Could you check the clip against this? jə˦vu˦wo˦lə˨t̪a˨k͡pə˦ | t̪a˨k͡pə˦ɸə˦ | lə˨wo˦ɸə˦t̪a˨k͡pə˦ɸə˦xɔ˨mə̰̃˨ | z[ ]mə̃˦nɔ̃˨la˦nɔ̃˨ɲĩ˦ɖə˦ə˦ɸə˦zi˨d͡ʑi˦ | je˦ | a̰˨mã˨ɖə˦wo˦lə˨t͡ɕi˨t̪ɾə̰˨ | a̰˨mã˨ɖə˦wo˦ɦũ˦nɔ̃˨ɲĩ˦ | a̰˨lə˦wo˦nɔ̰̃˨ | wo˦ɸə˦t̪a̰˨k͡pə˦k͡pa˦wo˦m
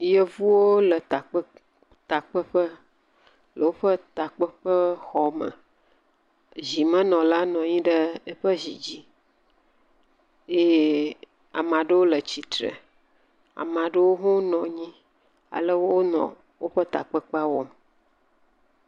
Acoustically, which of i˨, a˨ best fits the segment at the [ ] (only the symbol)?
i˨